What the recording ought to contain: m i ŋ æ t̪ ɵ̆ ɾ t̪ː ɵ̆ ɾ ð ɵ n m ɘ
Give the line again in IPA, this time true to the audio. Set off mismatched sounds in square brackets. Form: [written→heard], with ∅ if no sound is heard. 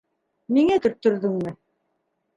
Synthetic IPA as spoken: m i ŋ æ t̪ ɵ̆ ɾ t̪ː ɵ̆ ɾ ð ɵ [n→ŋ] m ɘ